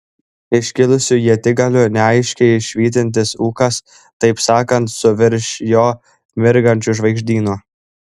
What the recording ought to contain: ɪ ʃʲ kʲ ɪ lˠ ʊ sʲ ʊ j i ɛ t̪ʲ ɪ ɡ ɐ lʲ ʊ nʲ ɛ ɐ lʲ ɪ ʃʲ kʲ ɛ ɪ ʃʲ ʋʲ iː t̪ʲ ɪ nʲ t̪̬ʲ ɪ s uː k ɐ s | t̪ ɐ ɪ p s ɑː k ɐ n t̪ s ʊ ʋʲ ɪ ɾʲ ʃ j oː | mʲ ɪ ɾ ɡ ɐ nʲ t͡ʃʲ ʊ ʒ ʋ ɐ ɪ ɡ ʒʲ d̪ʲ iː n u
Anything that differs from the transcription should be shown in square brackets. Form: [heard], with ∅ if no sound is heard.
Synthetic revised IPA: ɪ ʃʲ kʲ ɪ lˠ ʊ sʲ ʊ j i ɛ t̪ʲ ɪ ɡ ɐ lʲ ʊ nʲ ɛ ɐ [∅] ɪ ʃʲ kʲ ɛ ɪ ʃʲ ʋʲ iː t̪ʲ ɪ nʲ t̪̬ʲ ɪ s uː k ɐ s | t̪ ɐ ɪ p s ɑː k ɐ n t̪ s ʊ ʋʲ ɪ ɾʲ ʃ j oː | mʲ ɪ ɾ ɡ ɐ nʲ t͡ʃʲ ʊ ʒ ʋ ɐ ɪ ɡ ʒʲ d̪ʲ iː n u

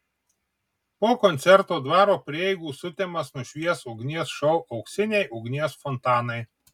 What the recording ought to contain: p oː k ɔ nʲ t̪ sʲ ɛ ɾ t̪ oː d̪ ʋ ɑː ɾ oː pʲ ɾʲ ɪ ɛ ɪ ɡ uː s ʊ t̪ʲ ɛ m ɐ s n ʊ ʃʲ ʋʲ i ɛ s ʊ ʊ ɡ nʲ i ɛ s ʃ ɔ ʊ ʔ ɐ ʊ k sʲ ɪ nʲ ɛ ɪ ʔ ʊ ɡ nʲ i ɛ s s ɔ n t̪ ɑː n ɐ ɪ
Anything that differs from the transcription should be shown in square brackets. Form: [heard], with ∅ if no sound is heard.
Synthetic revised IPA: p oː k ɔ nʲ t̪ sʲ ɛ ɾ t̪ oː d̪ ʋ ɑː ɾ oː pʲ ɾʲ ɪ ɛ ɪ ɡ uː s ʊ t̪ʲ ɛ m ɐ s n ʊ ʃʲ ʋʲ i ɛ s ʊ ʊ ɡ nʲ i ɛ s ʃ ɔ ʊ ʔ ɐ ʊ k sʲ ɪ nʲ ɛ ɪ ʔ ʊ ɡ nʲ i ɛ s [f] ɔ n t̪ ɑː n ɐ ɪ

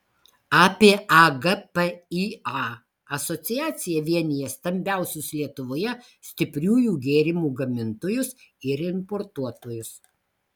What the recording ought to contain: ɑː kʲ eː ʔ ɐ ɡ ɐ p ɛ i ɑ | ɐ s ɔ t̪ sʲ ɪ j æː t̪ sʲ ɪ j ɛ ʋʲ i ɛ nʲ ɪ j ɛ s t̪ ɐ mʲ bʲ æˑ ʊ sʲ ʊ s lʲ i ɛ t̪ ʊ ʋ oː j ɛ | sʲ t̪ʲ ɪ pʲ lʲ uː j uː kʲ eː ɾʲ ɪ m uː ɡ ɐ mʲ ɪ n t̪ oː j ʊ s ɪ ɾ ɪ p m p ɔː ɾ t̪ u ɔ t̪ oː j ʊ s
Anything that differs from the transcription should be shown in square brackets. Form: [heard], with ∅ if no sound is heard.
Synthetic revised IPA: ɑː [pʲ] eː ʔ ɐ ɡ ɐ p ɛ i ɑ | ɐ s ɔ t̪ sʲ ɪ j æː t̪ sʲ ɪ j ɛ ʋʲ i ɛ nʲ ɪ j ɛ s t̪ ɐ mʲ bʲ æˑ ʊ sʲ ʊ s lʲ i ɛ t̪ ʊ ʋ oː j ɛ | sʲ t̪ʲ ɪ pʲ [ɾʲ] uː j uː [ɡʲ] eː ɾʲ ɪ m uː ɡ ɐ mʲ ɪ n t̪ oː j ʊ s ɪ ɾ ɪ [∅] m p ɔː ɾ t̪ u ɔ t̪ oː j ʊ s

